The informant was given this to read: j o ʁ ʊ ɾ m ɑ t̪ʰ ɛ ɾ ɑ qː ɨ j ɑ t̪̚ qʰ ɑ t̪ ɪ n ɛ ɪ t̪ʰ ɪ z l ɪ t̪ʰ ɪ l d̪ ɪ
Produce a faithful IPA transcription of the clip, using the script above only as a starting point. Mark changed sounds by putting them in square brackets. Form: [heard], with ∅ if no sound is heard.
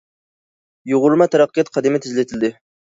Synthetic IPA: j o ʁ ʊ ɾ m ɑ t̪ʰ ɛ ɾ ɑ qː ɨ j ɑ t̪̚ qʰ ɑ [d̪] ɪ [m] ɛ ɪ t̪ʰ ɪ z l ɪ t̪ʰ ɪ l d̪ ɪ